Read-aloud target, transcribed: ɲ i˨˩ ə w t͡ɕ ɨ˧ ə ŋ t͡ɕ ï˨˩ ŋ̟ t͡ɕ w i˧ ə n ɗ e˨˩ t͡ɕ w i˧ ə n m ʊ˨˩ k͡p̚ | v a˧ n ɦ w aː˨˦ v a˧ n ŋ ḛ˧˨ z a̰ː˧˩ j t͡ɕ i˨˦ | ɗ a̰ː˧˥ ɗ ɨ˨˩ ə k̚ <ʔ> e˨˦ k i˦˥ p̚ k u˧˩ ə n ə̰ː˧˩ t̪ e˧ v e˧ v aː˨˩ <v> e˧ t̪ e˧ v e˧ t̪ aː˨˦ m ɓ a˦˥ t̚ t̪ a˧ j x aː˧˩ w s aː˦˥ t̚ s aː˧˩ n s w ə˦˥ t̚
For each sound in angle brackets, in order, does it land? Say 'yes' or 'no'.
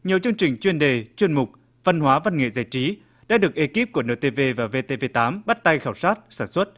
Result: yes, yes

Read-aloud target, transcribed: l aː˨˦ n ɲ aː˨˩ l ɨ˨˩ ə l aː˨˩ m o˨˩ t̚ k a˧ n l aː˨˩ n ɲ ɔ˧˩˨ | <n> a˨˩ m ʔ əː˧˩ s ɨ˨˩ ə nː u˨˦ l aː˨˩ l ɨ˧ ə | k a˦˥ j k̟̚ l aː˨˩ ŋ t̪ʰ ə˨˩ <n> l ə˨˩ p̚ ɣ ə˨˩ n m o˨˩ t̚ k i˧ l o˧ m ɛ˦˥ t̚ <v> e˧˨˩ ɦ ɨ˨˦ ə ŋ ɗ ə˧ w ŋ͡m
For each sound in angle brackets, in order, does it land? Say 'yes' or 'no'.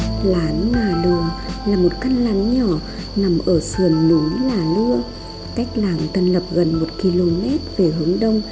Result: yes, yes, yes

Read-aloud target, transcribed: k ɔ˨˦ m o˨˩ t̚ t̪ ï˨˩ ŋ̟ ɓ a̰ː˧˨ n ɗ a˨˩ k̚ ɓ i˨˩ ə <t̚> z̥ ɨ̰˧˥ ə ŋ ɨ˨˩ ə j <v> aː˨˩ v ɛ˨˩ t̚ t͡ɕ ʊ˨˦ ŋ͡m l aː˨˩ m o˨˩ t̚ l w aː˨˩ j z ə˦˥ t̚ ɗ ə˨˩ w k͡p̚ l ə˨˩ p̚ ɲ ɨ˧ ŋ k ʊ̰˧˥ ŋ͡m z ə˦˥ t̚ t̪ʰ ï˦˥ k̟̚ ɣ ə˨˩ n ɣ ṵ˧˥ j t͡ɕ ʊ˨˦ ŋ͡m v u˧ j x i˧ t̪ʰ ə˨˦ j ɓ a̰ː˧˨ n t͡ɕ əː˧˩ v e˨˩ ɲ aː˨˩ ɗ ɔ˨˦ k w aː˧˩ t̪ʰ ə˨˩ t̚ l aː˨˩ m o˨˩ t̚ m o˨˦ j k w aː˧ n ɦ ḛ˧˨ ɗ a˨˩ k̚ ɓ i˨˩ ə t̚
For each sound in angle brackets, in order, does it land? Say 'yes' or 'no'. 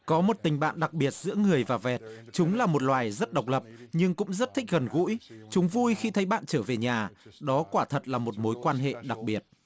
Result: yes, yes

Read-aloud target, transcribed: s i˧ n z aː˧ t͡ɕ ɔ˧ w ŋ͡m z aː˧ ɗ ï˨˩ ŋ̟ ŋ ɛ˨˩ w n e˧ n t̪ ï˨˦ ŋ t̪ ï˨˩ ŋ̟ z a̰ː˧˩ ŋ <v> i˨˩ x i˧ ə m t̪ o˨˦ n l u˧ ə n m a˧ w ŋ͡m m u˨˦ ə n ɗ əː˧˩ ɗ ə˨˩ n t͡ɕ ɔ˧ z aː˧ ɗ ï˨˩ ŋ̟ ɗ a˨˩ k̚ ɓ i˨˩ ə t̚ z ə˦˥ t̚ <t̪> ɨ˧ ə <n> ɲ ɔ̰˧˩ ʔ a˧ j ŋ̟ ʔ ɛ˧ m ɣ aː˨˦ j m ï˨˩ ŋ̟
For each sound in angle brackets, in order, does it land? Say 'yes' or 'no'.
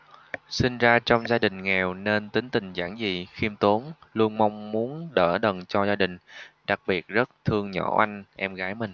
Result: no, no, no

